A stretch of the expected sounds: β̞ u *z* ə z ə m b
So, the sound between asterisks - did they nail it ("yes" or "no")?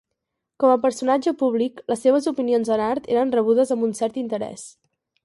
no